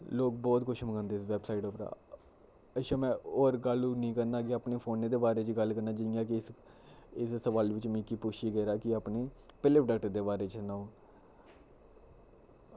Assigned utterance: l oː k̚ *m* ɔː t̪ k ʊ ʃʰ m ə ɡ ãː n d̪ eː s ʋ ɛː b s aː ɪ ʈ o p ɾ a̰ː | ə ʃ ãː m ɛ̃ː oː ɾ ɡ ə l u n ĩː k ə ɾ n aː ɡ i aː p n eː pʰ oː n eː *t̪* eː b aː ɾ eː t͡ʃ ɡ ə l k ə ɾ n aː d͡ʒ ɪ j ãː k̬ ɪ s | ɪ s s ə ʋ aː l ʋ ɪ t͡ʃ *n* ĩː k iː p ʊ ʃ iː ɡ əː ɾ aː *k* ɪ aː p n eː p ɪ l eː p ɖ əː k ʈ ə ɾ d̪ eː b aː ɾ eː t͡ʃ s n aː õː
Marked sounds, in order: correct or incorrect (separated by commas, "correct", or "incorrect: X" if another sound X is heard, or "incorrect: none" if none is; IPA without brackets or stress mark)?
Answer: incorrect: b, incorrect: d̪, incorrect: m, correct